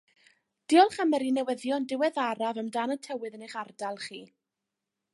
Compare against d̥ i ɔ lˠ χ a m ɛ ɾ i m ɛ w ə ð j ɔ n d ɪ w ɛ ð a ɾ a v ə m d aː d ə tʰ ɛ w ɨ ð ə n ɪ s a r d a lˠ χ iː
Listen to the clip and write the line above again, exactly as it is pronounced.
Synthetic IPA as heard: d̥ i ɔ lˠ χ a m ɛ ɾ i n ɛ w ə ð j ɔ n d ɪ w ɛ ð a ɾ a v ə m d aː n ə tʰ ɛ w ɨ ð ə n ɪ χ a r d a lˠ χ iː